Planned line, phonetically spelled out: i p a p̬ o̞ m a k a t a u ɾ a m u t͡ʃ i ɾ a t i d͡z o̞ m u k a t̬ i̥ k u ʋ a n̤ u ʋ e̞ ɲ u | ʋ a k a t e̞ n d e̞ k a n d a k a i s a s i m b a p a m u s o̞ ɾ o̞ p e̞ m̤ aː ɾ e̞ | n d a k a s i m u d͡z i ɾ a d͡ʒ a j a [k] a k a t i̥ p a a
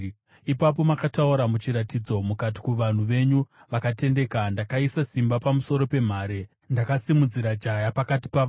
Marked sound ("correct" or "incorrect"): incorrect